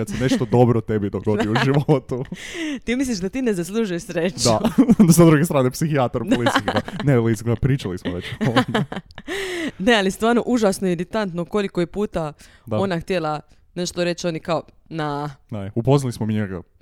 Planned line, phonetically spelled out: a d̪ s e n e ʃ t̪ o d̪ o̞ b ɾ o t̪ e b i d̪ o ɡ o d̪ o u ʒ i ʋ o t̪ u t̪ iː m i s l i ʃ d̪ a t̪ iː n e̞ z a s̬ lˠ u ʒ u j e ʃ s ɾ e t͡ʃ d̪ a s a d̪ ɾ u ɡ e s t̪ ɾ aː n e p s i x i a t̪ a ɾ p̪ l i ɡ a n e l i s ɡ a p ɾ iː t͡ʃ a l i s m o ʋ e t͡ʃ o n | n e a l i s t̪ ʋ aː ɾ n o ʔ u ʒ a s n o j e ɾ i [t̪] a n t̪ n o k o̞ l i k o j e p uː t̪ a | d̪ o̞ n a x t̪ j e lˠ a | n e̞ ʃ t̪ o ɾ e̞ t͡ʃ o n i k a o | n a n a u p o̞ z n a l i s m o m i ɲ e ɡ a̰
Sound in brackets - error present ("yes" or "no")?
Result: no